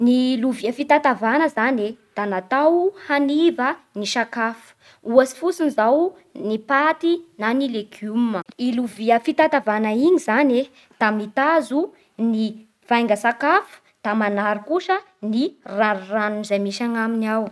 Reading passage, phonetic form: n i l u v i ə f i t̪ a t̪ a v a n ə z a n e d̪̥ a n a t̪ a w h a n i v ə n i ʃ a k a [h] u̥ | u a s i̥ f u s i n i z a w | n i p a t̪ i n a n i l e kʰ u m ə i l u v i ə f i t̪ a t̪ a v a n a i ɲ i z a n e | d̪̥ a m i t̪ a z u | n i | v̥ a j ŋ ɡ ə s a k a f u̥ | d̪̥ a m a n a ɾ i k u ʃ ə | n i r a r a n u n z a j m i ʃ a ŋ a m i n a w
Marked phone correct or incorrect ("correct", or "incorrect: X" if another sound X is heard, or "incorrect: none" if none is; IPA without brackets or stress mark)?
incorrect: f